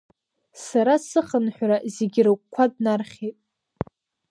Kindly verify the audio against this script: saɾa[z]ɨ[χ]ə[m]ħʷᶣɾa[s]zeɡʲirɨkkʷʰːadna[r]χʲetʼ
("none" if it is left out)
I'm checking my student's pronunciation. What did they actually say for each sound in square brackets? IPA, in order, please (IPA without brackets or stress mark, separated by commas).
s, χ, n, none, r